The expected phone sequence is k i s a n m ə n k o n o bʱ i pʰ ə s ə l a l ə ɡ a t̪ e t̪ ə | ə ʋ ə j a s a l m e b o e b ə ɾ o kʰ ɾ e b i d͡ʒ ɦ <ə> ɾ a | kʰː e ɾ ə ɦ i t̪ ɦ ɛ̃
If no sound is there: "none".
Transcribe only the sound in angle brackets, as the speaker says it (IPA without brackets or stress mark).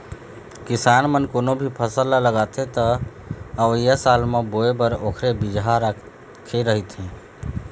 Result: a